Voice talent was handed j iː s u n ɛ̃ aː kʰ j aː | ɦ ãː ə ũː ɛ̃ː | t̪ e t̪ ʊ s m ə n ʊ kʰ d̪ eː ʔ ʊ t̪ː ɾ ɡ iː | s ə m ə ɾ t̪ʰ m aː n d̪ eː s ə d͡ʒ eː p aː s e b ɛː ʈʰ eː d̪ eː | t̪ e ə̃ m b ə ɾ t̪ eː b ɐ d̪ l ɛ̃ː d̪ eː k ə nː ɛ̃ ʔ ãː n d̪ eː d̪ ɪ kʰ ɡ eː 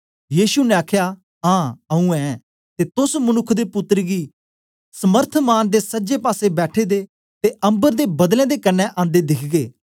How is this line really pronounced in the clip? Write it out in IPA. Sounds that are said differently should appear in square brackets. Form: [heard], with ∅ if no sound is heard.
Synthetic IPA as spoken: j iː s u n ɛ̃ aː kʰ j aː | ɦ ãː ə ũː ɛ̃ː | t̪ e t̪ ʊ s m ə n ʊ kʰ d̪ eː [p] ʊ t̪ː ɾ ɡ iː | s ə m ə ɾ t̪ʰ m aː n d̪ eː s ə d͡ʒ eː p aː s e b ɛː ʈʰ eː d̪ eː | t̪ e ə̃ m b ə ɾ [d̪] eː b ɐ d̪ l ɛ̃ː d̪ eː k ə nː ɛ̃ ʔ ãː n d̪ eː d̪ ɪ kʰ ɡ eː